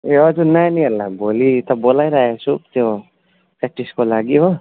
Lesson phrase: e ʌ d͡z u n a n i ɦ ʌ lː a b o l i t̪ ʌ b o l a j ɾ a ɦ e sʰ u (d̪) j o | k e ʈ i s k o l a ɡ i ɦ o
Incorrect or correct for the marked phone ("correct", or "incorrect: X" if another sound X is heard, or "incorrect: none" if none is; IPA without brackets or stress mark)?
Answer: incorrect: t̪